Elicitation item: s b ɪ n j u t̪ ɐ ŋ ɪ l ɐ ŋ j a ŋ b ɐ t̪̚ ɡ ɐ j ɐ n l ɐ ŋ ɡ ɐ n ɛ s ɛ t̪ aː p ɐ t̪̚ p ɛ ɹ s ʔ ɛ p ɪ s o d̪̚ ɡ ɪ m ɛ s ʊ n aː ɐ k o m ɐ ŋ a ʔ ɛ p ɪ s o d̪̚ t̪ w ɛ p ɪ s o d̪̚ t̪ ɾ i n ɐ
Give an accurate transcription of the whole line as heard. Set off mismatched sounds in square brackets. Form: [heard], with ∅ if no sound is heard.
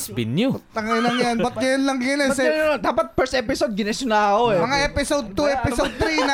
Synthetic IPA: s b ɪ n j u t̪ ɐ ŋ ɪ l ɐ ŋ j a [n] b ɐ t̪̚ ɡ ɐ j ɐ n l ɐ ŋ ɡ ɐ n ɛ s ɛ [d̪] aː p ɐ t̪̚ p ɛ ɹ s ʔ ɛ p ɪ s o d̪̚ ɡ ɪ [n] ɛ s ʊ n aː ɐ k o m ɐ ŋ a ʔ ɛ p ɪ s o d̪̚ t̪ [u] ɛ p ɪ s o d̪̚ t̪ ɾ i n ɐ